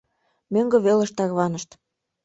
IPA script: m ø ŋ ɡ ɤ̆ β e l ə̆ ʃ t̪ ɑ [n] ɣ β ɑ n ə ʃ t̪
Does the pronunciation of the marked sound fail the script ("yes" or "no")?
yes